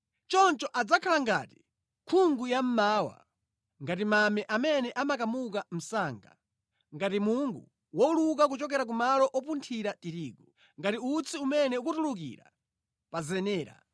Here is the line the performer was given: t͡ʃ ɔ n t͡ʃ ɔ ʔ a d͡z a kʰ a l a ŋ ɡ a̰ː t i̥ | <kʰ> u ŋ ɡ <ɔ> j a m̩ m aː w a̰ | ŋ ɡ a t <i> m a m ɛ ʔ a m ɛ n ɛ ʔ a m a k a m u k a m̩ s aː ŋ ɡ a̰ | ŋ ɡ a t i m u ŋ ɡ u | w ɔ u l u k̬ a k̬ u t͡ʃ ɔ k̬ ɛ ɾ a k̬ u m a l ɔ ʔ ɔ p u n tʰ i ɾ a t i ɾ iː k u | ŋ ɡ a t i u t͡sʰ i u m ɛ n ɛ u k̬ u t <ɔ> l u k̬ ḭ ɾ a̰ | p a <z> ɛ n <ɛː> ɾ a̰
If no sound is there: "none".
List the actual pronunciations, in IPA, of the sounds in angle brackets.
kʰ, u, i, u, z, ɛː

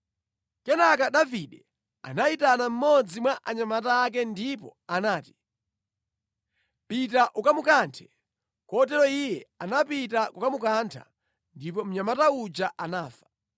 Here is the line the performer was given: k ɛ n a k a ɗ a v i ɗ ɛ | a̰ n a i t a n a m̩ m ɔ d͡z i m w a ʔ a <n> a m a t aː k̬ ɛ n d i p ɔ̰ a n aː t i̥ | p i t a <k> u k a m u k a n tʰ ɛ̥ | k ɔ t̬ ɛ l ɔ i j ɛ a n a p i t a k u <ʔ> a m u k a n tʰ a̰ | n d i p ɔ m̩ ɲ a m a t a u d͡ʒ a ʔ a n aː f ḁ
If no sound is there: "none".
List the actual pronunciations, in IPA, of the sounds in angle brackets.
ɲ, ʔ, k

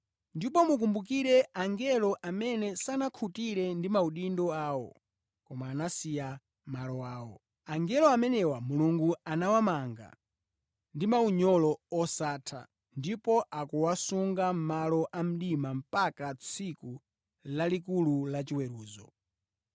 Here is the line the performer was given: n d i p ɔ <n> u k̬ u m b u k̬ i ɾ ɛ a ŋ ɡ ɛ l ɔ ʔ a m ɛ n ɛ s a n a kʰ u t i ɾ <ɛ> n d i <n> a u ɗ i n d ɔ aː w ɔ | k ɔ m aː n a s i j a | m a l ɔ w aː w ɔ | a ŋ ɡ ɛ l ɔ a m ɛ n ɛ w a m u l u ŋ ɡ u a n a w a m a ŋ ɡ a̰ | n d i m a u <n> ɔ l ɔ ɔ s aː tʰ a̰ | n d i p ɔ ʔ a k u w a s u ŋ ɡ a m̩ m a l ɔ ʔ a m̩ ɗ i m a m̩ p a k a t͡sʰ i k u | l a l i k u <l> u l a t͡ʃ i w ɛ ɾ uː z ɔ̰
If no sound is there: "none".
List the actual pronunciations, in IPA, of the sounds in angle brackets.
m, ɛ, m, ɲ, l

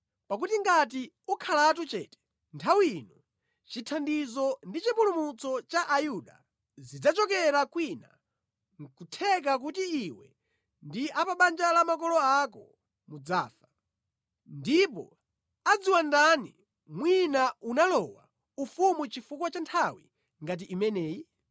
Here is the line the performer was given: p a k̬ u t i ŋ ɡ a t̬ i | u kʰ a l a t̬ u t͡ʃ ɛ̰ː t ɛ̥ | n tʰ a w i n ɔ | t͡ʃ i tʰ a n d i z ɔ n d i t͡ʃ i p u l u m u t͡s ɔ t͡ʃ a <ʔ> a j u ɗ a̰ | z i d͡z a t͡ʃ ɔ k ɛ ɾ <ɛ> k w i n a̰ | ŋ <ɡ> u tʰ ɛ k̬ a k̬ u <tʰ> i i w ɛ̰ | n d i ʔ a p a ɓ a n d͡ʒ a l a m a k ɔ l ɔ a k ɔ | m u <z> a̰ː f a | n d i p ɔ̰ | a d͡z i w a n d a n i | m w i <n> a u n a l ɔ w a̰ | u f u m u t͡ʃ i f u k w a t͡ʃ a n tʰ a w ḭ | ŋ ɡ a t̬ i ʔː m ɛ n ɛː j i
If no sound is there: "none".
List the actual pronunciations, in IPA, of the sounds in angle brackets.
ʔ, a, k, t, d͡z, n

